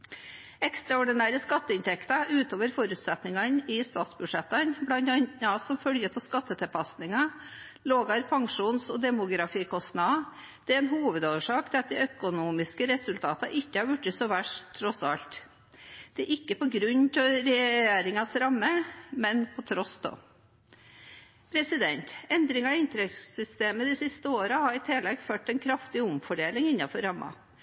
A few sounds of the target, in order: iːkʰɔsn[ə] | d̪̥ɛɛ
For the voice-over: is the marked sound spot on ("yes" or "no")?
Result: no